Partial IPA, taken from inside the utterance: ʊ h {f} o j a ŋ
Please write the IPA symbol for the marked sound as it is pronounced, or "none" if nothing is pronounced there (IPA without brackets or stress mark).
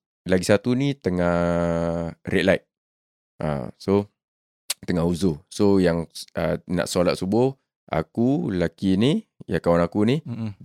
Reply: s